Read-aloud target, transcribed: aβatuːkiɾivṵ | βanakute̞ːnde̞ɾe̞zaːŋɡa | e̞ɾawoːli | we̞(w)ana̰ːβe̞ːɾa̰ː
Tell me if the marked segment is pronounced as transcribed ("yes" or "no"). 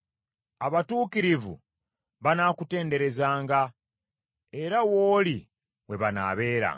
no